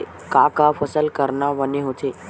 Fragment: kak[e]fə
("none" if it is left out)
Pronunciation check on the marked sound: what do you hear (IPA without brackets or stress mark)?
a